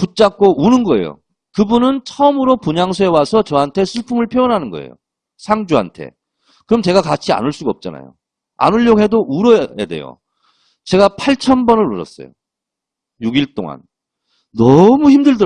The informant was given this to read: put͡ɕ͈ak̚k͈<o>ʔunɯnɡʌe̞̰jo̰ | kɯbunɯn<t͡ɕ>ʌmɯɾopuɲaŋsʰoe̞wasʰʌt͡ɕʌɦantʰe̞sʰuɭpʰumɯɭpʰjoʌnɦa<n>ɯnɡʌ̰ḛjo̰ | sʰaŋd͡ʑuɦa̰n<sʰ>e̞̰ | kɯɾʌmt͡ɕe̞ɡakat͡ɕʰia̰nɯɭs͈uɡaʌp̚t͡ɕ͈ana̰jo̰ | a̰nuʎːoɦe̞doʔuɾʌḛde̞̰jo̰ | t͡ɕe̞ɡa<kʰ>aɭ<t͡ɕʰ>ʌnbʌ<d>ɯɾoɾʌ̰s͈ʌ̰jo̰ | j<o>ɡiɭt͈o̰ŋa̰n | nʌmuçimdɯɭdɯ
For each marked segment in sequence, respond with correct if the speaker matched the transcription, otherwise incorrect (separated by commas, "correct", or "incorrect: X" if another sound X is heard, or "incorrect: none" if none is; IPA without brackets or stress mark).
correct, incorrect: t͡ɕʰ, correct, incorrect: tʰ, incorrect: pʰ, correct, incorrect: n, incorrect: u